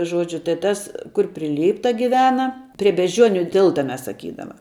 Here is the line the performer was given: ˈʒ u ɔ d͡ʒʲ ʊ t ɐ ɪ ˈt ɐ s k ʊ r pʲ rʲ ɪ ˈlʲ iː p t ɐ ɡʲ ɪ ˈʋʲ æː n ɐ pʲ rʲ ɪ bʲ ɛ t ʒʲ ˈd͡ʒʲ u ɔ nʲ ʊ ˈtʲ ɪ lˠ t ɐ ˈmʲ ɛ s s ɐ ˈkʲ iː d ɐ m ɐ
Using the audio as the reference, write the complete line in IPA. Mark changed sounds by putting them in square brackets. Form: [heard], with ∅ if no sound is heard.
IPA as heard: ˈʒ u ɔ d͡ʒʲ ʊ t ɐ ɪ ˈt ɐ s k ʊ r pʲ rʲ ɪ ˈlʲ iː p t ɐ ɡʲ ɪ ˈʋʲ æː n ɐ pʲ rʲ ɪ bʲ ɛ [∅] ʒʲ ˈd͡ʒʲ u ɔ nʲ ʊ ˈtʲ ɪ lˠ t ɐ ˈmʲ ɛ s s ɐ ˈkʲ iː d ɐ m ɐ